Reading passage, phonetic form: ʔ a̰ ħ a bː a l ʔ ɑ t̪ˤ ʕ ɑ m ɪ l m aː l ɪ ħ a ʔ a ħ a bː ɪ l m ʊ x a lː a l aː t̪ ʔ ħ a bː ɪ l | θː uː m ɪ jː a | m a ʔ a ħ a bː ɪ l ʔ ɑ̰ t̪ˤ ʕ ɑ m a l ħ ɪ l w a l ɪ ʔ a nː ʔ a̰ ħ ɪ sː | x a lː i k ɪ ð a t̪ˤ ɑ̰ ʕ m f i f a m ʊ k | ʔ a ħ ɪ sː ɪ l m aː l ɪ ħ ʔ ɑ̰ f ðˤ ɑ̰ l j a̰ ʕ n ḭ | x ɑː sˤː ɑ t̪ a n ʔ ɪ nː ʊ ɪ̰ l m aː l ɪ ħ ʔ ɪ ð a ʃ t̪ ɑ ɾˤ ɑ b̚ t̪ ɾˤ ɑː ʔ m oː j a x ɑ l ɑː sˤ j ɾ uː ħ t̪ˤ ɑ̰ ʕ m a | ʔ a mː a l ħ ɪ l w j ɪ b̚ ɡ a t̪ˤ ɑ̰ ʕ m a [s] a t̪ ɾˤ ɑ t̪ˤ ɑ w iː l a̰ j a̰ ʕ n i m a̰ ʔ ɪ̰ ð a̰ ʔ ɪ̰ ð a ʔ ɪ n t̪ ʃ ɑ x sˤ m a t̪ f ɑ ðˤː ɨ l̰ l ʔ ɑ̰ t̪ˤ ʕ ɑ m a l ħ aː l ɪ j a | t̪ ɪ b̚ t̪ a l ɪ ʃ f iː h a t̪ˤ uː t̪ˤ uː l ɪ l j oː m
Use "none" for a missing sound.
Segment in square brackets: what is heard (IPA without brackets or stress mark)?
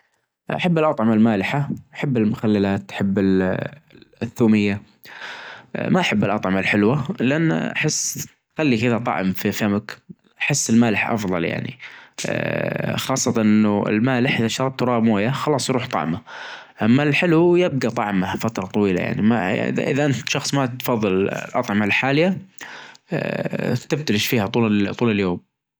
f